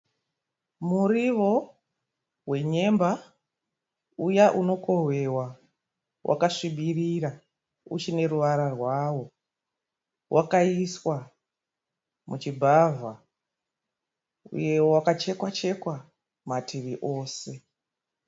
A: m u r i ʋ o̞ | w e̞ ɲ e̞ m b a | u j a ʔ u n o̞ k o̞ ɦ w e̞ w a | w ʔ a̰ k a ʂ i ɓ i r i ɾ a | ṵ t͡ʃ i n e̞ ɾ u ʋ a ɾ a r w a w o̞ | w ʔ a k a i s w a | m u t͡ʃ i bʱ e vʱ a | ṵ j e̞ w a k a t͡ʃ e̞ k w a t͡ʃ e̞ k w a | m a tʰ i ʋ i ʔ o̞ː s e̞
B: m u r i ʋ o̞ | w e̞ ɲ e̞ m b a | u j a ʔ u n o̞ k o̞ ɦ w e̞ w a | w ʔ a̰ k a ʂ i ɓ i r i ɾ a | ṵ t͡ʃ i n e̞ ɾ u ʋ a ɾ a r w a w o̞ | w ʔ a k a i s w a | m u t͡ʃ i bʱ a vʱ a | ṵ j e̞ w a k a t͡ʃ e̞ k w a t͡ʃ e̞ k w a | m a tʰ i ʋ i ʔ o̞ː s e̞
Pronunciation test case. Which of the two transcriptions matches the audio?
B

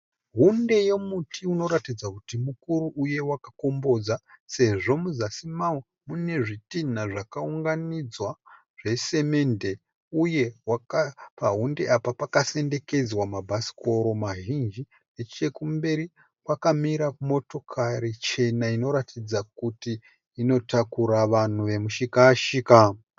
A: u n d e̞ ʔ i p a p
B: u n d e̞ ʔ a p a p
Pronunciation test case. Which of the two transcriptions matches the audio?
B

